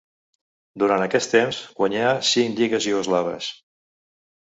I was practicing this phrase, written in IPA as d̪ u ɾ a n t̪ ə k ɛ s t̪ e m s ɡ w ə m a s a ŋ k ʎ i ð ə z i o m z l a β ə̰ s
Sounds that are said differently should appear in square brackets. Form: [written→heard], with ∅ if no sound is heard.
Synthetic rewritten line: d̪ u ɾ a n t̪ ə k ɛ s t̪ e m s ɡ w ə [m→ɲ] a s [a→i] ŋ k ʎ i [ð→ɣ] ə z i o [m→∅] z l a β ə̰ s